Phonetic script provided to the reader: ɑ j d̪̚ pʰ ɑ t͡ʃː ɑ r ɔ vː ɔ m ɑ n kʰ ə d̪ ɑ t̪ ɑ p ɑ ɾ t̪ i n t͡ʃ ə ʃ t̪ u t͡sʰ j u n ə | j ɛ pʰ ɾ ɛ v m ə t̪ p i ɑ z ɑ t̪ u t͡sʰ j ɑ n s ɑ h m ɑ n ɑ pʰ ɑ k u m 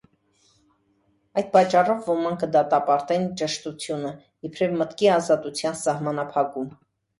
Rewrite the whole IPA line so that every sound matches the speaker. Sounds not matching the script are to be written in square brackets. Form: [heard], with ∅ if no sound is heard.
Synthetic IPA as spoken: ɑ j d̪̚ [p] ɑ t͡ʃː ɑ r ɔ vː ɔ m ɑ [ŋ] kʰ ə d̪ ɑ t̪ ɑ p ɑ ɾ t̪ [ɛ] n t͡ʃ ə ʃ t̪ u t͡sʰ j u n ə | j ɛ pʰ ɾ ɛ v m ə t̪ [k] i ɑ z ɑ t̪ u t͡sʰ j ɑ n s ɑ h m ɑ n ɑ pʰ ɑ k u m